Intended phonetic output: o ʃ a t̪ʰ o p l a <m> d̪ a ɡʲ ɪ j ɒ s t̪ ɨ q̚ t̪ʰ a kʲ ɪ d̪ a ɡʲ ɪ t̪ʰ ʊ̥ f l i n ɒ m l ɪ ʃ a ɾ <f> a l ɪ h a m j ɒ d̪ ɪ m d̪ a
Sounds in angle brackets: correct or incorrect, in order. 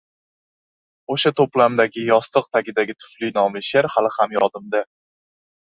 correct, incorrect

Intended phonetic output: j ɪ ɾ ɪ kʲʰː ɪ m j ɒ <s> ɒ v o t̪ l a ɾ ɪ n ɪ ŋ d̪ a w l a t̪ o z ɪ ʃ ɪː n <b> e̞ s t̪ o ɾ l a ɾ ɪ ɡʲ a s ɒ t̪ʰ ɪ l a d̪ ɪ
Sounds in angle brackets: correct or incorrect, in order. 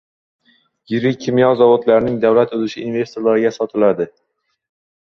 incorrect, incorrect

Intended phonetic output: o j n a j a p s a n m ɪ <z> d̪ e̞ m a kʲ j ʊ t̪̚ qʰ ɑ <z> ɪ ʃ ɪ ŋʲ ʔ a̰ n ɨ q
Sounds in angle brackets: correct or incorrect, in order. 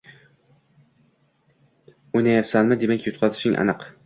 incorrect, correct

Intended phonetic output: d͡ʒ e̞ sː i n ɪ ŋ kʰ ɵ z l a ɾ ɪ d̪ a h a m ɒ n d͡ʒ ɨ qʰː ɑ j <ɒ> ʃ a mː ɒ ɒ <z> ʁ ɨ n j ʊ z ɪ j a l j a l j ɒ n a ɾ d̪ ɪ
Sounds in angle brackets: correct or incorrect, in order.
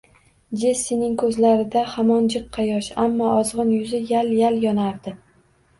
correct, correct

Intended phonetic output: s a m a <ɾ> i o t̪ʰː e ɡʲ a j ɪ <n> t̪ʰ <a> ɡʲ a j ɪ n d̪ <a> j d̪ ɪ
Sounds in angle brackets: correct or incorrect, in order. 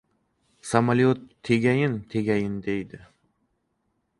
incorrect, correct, incorrect, incorrect

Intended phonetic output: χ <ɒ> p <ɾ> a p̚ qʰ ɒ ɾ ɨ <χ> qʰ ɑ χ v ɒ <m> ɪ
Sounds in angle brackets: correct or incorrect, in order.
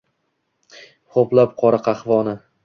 incorrect, incorrect, incorrect, incorrect

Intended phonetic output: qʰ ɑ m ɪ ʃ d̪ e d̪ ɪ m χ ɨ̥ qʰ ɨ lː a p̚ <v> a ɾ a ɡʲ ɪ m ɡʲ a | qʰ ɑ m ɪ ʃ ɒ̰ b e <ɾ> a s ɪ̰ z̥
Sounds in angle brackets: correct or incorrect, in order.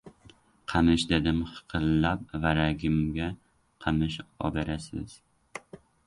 correct, correct

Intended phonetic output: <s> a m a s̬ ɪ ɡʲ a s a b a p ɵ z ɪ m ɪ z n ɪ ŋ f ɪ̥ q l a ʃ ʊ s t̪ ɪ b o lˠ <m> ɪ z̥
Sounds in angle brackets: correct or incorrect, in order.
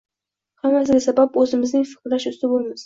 incorrect, correct

